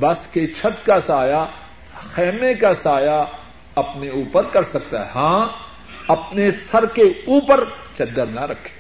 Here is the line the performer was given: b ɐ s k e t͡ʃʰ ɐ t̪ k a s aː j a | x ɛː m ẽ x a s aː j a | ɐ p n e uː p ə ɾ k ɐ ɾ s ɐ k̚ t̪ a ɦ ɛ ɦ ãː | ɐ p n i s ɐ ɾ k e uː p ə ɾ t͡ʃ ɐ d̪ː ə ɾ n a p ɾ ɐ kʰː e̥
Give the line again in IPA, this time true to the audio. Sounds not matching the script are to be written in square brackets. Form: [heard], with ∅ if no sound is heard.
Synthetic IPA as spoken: b ɐ s k e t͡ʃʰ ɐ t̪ k a s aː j a | x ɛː m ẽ [k] a s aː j a | ɐ p n e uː p ə ɾ k ɐ ɾ s ɐ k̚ t̪ a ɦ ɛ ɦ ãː | ɐ p n [e] s ɐ ɾ k e uː p ə ɾ t͡ʃ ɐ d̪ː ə ɾ n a [∅] ɾ ɐ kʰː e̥